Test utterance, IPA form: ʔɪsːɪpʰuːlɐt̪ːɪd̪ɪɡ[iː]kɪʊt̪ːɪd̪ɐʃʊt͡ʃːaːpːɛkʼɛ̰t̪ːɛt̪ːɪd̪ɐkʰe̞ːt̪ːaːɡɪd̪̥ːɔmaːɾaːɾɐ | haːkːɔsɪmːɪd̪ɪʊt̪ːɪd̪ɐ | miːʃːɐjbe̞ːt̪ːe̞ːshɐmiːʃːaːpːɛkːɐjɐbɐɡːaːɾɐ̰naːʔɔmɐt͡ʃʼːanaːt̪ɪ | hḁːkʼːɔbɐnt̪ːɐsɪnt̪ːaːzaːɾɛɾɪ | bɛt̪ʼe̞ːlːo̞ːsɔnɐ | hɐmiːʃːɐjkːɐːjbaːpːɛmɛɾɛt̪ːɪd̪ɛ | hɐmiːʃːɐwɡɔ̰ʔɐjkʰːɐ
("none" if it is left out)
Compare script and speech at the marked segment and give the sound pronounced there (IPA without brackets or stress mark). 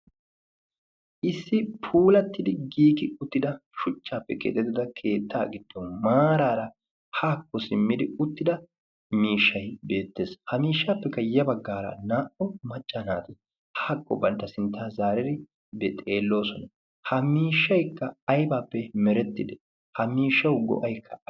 iː